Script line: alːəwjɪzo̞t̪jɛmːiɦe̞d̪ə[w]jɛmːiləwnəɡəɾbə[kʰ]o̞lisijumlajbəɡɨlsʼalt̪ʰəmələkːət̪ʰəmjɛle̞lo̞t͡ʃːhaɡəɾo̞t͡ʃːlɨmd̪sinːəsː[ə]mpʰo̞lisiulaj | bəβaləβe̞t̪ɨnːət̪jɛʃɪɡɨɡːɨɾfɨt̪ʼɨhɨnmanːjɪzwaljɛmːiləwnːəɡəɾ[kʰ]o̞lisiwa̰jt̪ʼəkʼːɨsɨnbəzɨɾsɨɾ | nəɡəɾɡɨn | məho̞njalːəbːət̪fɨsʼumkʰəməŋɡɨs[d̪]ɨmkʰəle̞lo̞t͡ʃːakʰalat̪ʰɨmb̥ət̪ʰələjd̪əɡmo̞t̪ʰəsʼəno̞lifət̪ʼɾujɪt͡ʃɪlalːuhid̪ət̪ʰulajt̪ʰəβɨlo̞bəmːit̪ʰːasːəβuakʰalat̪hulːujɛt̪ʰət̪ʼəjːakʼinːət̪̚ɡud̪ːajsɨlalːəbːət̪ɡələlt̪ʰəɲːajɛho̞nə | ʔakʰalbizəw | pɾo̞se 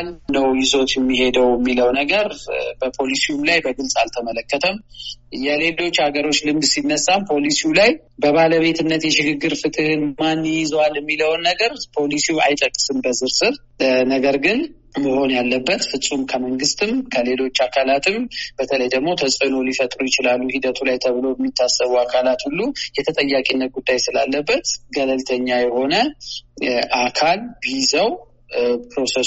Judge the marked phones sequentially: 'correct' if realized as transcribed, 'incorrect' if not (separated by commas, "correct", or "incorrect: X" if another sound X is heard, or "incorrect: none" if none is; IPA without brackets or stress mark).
correct, incorrect: pʰ, incorrect: a, incorrect: pʰ, incorrect: t̪